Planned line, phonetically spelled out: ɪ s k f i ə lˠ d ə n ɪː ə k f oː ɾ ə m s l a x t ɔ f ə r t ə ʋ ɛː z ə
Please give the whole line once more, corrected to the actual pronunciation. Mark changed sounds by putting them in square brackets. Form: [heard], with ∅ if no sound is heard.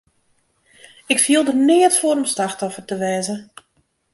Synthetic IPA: ɪ [∅] k f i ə lˠ d ə n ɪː ə [t] f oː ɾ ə m s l a x t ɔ f ə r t ə ʋ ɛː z ə